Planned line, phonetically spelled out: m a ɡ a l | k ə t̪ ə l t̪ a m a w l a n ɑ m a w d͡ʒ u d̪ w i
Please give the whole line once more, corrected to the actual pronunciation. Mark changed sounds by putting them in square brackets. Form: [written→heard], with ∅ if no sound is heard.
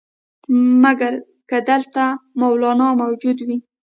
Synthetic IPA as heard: m a ɡ a [l→ɾ] | k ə [t̪→d̪] ə l t̪ a m a w l [a→ɑ] n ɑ m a w d͡ʒ u d̪ w i